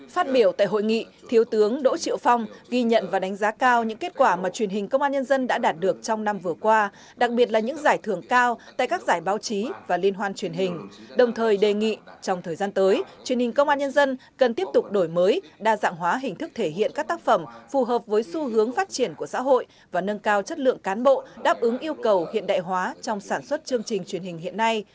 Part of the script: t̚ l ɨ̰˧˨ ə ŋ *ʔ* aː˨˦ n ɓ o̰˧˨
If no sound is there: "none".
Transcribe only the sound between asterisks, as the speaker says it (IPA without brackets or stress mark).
k